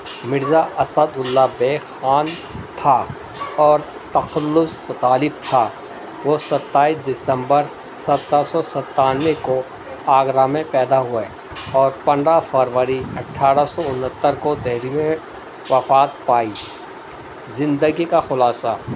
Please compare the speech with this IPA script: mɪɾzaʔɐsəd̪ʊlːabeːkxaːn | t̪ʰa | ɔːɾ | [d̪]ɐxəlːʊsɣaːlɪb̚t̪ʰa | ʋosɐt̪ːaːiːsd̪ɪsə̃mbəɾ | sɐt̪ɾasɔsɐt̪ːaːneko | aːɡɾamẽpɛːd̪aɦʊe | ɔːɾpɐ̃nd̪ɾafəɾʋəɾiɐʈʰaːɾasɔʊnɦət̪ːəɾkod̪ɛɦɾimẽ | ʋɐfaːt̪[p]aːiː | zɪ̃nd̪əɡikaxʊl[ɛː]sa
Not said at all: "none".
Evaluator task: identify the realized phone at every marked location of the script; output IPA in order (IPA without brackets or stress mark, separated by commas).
t̪, p, aː